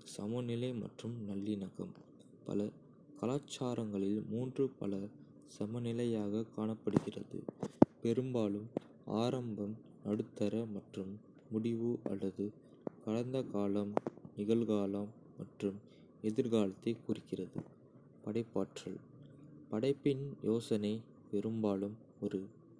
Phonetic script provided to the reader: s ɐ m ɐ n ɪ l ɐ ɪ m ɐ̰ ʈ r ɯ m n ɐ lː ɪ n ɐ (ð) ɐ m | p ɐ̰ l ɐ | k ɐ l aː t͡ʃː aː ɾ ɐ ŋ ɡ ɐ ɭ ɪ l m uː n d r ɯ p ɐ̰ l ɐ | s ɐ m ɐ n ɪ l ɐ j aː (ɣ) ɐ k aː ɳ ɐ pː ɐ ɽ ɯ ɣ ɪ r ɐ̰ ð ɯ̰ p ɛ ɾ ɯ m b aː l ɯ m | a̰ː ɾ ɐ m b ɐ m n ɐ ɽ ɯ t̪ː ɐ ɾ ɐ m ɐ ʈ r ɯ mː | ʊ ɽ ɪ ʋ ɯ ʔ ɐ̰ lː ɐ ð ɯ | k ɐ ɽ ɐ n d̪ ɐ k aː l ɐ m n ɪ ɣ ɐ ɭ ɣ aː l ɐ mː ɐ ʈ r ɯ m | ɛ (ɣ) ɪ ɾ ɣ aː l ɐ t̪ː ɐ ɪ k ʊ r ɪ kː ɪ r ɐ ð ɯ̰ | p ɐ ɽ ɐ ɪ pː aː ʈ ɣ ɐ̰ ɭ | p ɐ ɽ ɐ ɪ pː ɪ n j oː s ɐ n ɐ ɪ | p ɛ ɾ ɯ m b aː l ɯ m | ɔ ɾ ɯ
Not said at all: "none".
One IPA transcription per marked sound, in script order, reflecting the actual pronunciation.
ɣ, ɣ, ð

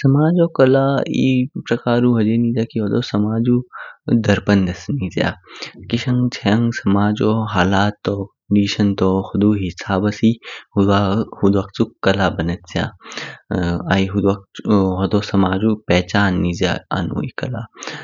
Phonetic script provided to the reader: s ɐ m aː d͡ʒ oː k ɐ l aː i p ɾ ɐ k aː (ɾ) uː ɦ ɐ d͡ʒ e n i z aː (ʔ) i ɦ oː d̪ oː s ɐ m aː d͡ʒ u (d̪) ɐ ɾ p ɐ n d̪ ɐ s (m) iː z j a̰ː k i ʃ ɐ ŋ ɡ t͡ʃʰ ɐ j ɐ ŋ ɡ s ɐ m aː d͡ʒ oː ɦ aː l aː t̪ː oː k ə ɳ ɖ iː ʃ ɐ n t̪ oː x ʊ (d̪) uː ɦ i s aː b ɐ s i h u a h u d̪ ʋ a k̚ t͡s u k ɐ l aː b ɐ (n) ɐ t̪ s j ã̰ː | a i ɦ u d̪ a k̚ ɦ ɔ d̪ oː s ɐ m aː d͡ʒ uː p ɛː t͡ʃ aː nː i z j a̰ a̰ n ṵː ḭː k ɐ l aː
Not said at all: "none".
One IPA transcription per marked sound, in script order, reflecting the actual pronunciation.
ɾ, k, d̪, n, d̪, n

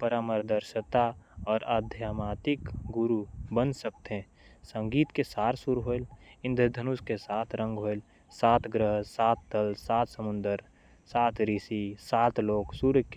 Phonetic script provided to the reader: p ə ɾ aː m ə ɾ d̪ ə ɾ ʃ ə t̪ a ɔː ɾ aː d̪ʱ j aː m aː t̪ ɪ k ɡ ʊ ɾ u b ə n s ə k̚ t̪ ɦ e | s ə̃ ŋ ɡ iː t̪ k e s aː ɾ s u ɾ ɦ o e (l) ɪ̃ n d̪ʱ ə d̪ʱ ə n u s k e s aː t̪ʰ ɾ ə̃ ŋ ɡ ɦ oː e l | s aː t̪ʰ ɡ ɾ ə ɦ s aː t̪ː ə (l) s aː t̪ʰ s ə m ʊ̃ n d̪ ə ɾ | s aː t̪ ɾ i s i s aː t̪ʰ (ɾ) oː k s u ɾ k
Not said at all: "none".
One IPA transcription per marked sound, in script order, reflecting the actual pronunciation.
l, l, l

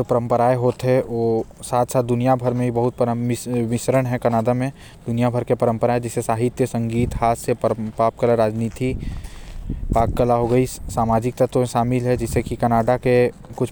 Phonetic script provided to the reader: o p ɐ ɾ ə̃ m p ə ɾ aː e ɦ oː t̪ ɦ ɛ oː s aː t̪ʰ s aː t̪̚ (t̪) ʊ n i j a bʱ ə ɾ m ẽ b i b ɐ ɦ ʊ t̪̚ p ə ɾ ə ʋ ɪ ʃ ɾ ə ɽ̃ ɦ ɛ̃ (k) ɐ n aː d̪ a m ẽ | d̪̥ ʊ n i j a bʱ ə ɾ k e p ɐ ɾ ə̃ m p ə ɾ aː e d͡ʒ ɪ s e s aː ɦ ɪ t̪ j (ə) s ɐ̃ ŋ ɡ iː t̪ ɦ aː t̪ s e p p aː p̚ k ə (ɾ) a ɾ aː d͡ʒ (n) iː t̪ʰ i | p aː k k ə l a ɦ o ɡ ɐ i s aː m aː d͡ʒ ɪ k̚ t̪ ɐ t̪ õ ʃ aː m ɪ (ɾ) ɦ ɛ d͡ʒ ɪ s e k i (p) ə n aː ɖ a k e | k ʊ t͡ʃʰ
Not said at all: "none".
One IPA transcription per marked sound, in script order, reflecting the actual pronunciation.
d̪, k, ə, l, n, l, k

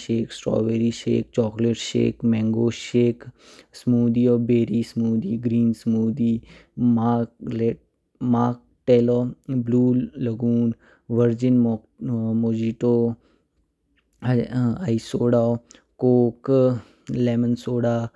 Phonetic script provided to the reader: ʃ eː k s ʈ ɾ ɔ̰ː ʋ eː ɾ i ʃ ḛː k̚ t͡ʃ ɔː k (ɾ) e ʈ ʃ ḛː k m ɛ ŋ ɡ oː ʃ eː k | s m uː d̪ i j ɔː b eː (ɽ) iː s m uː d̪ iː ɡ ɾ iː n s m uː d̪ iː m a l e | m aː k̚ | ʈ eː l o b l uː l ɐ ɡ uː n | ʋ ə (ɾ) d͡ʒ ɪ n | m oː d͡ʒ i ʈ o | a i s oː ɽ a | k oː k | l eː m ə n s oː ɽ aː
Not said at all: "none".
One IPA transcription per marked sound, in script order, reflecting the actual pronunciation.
l, ɾ, ɾ

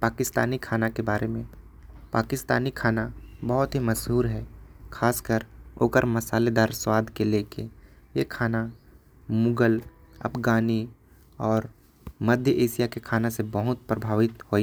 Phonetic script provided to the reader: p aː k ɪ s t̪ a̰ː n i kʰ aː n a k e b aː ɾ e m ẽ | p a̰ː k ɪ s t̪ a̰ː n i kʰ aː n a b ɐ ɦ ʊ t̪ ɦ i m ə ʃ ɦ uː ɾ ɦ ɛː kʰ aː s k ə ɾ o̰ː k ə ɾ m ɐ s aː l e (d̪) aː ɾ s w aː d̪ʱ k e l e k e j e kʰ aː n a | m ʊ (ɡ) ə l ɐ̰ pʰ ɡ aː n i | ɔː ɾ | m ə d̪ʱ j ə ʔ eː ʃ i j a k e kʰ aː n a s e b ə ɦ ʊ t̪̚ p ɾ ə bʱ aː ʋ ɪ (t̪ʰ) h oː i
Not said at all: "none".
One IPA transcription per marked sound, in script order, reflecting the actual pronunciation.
d̪, ɡ, t̪

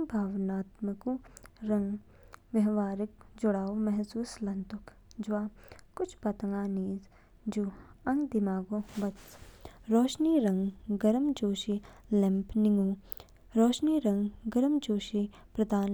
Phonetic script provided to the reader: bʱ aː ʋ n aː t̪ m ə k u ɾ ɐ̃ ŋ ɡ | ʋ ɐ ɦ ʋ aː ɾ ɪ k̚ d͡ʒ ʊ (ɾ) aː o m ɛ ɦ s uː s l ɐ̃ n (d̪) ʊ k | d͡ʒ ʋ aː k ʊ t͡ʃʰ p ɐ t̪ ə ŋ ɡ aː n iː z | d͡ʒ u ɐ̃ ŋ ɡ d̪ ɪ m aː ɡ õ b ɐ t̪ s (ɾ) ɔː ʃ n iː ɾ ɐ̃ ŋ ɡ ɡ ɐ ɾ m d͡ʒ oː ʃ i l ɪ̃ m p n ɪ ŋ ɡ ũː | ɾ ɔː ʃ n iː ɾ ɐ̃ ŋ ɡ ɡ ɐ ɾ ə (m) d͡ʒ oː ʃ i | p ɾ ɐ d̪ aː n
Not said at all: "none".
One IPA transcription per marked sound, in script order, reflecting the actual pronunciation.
ɽ, t̪, ɾ, m

